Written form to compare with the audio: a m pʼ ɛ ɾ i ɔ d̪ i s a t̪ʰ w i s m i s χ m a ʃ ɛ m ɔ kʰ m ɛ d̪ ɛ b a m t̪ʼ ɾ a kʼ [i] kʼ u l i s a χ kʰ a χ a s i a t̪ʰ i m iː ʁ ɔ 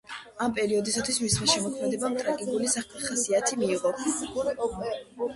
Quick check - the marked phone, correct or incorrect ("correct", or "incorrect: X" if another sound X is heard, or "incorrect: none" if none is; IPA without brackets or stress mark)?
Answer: correct